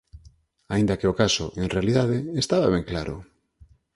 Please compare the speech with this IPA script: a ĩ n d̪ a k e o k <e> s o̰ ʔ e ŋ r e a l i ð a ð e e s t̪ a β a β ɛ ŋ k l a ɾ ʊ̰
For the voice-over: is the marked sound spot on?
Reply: no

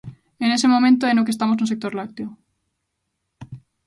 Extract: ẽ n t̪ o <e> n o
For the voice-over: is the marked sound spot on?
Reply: yes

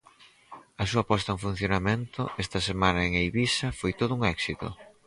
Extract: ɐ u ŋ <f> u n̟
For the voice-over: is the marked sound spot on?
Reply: yes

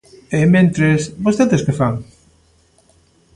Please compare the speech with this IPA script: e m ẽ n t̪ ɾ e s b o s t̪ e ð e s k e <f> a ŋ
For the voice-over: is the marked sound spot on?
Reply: yes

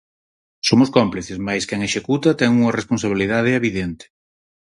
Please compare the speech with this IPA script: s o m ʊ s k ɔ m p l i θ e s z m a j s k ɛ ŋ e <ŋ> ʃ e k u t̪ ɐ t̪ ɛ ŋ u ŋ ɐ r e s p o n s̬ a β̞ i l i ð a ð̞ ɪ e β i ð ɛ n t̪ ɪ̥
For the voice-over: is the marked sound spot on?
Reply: no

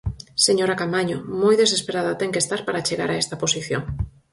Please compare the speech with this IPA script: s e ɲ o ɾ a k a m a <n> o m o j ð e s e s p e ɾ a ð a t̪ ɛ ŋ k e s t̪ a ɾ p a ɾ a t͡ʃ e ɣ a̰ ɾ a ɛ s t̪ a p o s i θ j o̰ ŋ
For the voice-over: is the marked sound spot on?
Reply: no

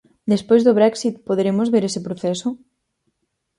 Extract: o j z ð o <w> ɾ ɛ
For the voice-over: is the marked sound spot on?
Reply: no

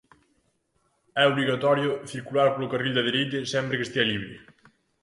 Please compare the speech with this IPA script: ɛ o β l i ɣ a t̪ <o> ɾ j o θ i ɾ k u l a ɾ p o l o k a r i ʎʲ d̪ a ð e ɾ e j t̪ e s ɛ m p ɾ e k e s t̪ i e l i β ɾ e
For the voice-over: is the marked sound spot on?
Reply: no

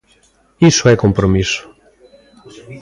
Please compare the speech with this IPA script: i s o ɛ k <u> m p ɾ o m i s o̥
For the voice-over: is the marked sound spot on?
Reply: no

